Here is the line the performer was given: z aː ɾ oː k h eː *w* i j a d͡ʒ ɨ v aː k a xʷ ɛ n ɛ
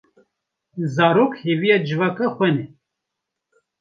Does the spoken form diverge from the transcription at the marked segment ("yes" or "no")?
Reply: yes